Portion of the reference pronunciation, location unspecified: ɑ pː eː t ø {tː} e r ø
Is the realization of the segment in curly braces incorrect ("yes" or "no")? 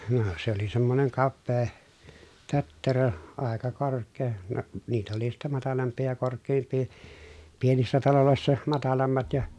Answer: no